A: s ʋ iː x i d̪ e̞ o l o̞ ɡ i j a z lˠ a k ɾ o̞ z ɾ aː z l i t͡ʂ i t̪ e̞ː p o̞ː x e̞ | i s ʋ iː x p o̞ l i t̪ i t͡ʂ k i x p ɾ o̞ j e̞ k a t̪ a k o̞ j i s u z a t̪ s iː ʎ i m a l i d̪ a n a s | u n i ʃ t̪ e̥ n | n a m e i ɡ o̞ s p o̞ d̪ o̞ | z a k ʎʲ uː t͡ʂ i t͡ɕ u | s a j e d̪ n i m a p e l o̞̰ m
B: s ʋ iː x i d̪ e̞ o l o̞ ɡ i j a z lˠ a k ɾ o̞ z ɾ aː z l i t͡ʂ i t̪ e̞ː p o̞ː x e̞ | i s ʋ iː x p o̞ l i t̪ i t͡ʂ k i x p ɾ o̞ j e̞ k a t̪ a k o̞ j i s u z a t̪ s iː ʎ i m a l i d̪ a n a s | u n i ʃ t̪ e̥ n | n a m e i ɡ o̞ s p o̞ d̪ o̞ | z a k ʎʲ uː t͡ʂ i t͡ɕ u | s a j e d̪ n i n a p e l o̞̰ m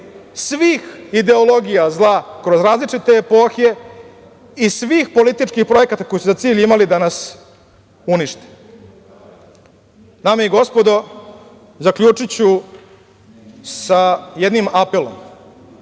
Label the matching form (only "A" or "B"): A